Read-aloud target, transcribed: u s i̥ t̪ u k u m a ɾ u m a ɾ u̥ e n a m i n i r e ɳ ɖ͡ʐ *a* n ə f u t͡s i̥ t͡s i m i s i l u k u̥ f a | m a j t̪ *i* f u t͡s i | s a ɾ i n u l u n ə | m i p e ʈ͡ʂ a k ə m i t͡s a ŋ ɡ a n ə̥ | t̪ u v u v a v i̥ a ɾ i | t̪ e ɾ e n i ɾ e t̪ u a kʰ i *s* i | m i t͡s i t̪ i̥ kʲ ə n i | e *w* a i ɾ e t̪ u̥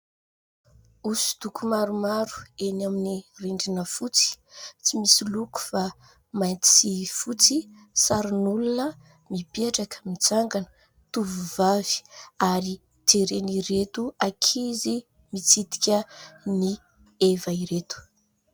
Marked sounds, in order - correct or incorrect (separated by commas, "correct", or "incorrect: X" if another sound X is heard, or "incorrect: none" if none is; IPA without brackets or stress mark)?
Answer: incorrect: i, correct, incorrect: z, incorrect: v